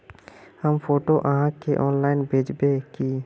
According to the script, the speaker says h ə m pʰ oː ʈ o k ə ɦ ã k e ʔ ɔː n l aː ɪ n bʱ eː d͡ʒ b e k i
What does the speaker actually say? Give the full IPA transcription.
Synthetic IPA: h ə m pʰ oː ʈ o ʔ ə ɦ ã k e ʔ ɔː n l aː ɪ n bʱ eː d͡ʒ b e k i